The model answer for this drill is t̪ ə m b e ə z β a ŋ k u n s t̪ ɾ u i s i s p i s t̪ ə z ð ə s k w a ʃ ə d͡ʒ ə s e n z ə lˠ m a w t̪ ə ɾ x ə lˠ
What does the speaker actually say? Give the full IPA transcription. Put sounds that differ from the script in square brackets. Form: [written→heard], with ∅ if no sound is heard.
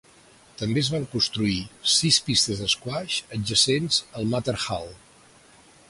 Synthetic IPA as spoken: t̪ ə m b e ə z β a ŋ k u n s t̪ ɾ u i s i s p i s t̪ ə z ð ə s k w a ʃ ə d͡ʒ ə s e n z ə lˠ m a [w→∅] t̪ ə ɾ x [ə→a] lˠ